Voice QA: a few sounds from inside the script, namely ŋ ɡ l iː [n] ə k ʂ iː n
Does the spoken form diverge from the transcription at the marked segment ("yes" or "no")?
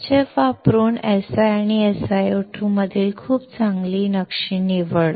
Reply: no